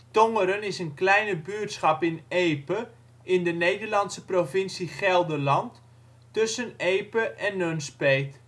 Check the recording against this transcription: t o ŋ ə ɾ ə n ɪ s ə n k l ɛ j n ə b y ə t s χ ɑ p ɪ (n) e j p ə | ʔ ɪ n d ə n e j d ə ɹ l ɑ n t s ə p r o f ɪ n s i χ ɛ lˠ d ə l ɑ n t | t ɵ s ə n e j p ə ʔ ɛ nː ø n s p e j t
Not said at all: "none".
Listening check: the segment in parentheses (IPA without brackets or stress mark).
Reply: n